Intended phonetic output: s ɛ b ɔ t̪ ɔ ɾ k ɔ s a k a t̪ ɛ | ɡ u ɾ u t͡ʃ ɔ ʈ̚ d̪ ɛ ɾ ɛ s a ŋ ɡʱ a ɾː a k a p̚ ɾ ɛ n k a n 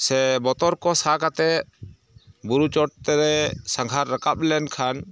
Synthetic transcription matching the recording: s ɛ b ɔ t̪ ɔ ɾ k ɔ s a k a t̪ ɛ | b u ɾ u t͡ʃ ɔ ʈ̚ t̪ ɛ ɾ ɛ s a ŋ ɡʱ a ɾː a k a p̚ l ɛ n kʰ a n